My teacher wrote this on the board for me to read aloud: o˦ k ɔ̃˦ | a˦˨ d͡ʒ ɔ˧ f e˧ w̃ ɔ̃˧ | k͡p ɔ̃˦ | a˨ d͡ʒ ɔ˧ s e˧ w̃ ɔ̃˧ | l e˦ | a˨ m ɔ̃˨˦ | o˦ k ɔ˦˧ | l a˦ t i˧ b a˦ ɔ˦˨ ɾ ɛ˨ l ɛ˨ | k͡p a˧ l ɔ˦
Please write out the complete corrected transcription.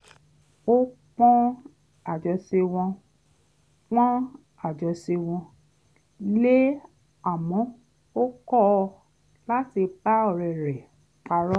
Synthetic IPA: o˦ k͡p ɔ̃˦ | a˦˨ d͡ʒ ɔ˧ s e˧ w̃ ɔ̃˧ | k͡p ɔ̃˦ | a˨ d͡ʒ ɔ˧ s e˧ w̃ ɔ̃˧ | l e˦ | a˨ m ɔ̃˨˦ | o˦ k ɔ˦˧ | l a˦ t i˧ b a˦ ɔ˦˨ ɾ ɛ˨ ɾ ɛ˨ | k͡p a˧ ɾ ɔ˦